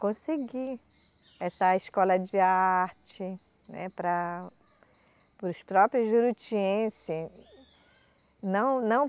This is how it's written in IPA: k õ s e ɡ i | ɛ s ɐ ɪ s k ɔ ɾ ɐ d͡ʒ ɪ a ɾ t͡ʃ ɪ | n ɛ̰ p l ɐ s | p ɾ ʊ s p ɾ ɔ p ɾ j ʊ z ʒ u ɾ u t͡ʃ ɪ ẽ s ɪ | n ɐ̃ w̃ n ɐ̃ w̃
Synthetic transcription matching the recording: k õ s e ɡ i | ɛ s ɐ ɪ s k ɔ l ɐ d͡ʒ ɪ a ɾ t͡ʃ ɪ | n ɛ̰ p ɾ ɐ | p ɾ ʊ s p ɾ ɔ p ɾ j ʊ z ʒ u ɾ u t͡ʃ i ẽ s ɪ | n ɐ̃ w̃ n ɐ̃ w̃